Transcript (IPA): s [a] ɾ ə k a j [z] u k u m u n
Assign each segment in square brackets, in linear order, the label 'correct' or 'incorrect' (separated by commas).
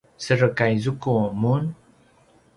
incorrect, correct